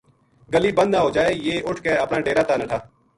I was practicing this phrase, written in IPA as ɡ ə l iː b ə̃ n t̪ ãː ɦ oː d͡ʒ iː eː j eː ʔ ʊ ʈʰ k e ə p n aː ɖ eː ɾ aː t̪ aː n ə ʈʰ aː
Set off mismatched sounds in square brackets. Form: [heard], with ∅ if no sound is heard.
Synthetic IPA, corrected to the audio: ɡ ə l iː b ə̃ n [d̪] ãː ɦ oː d͡ʒ [aː] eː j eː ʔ ʊ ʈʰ k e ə p n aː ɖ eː ɾ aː t̪ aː n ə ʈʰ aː